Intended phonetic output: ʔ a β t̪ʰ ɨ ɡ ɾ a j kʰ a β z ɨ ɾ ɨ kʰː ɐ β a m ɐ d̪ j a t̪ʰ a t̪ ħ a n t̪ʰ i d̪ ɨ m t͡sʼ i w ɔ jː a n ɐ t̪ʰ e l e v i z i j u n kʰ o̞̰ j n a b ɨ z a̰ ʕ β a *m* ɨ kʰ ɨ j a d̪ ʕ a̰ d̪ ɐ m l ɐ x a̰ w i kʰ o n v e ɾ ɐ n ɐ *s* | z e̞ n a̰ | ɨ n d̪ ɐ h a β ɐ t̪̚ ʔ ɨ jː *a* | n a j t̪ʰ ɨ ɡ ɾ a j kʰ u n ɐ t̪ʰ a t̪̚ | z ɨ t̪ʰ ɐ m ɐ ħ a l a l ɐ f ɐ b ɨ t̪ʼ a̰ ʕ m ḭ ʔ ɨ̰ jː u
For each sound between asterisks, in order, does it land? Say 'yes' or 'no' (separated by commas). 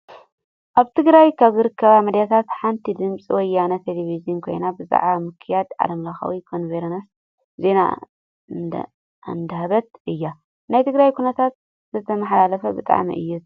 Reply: yes, yes, yes